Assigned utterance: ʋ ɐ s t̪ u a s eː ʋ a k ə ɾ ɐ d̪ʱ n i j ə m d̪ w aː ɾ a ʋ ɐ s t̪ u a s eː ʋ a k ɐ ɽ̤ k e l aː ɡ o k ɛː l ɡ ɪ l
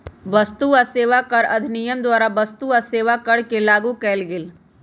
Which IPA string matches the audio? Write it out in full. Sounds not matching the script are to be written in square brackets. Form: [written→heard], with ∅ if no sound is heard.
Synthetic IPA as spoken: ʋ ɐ s t̪ u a s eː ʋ a k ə ɾ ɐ d̪ʱ n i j ə m d̪ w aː ɾ a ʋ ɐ s t̪ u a s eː ʋ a k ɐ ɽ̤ k e l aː ɡ [o→u] k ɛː l ɡ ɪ l